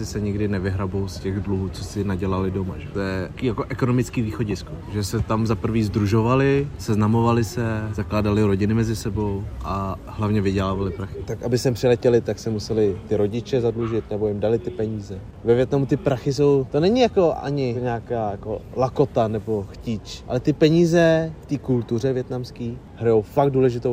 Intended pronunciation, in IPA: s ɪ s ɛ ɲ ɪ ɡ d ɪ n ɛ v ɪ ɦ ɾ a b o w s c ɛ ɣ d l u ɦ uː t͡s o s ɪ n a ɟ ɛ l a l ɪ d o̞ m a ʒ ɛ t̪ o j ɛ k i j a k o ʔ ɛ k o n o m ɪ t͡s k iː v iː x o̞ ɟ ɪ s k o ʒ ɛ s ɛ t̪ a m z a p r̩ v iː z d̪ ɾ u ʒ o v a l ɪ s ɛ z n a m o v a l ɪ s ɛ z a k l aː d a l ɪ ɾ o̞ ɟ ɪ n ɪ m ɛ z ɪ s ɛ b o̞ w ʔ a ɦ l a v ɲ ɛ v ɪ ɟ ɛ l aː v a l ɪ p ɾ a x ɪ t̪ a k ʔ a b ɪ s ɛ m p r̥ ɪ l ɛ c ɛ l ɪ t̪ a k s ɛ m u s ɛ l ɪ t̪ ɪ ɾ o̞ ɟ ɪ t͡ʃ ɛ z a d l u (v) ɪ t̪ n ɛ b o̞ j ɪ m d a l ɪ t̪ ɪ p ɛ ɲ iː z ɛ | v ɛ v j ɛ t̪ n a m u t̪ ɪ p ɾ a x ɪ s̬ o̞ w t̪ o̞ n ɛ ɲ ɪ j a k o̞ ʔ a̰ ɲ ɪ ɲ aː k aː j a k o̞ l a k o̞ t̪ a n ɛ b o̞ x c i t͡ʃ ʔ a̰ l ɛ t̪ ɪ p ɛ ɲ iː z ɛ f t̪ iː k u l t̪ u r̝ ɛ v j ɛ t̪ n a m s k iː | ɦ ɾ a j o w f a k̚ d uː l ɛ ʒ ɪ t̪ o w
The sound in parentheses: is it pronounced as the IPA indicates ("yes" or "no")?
no